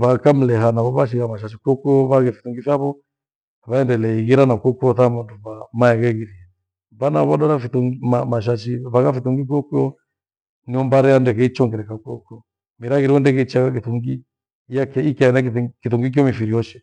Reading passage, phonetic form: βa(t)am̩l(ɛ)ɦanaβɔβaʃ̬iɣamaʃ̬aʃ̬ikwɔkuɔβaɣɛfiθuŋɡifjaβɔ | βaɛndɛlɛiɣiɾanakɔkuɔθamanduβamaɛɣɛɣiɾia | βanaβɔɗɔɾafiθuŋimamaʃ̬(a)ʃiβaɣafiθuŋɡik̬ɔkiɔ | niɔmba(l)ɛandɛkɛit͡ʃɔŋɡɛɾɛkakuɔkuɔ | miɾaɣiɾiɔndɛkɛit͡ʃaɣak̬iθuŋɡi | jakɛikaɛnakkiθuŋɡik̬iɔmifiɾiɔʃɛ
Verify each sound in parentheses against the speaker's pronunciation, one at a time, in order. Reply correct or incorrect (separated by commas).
incorrect, correct, correct, incorrect